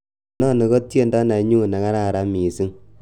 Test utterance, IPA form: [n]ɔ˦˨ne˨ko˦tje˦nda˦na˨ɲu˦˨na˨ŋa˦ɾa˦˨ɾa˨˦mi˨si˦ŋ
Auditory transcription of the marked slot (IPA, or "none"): n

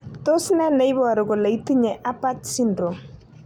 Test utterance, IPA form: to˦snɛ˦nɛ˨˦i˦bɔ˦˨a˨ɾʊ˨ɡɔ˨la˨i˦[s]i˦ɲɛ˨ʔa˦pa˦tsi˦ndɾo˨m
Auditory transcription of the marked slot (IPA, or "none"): t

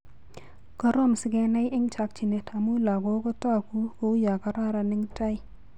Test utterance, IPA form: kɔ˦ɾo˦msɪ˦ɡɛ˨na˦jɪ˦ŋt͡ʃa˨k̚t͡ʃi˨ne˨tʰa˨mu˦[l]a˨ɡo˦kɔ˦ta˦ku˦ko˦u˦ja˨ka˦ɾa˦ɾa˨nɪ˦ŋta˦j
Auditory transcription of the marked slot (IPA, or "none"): l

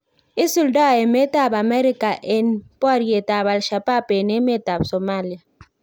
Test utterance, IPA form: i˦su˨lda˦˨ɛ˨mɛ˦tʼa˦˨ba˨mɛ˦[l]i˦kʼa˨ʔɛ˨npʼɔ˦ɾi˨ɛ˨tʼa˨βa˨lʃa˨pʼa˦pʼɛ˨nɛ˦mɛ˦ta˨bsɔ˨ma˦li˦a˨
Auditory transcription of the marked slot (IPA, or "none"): ɾ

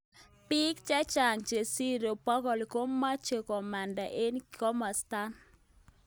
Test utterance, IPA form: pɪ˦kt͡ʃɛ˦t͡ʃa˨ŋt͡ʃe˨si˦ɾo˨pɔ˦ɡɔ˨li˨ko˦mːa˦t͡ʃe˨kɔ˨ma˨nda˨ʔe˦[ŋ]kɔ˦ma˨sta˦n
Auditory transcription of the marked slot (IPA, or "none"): n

